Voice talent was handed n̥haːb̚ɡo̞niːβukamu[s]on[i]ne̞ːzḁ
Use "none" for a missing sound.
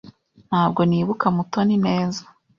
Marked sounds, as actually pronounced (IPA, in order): t, i

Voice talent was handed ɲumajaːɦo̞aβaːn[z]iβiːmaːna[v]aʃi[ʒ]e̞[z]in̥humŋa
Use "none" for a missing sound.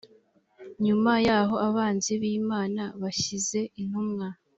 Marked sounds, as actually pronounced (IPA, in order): z, β, z, none

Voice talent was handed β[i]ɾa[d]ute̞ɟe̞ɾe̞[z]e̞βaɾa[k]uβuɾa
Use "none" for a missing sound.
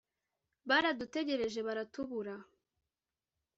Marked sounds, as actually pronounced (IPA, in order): a, d, ʒ, t

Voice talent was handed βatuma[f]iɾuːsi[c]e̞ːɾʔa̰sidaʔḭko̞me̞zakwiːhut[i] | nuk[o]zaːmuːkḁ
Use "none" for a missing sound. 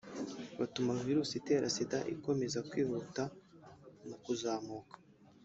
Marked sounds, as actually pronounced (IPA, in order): v, t, a, u

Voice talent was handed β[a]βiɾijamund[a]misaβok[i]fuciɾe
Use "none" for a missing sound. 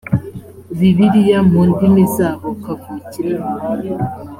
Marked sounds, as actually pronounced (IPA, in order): i, i, a

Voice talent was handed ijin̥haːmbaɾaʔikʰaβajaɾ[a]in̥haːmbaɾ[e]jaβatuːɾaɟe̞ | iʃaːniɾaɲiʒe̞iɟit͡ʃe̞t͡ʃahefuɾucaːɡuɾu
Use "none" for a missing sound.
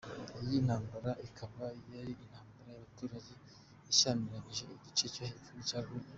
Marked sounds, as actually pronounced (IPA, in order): i, a

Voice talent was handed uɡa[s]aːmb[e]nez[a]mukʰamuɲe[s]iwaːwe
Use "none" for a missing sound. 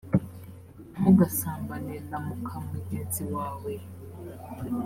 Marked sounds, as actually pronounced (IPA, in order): s, a, a, z

